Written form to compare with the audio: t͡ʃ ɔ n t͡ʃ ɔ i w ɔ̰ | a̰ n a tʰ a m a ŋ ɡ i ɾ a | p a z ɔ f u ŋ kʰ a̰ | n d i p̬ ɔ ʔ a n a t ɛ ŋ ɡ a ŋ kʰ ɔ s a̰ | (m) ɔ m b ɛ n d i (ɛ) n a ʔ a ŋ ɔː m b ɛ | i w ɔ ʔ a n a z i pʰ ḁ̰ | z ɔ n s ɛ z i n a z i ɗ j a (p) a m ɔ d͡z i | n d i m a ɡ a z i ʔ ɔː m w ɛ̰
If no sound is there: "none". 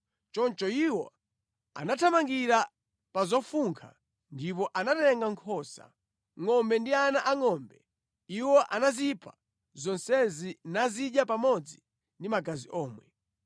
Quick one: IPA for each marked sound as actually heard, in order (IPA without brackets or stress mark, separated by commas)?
ŋ, a, p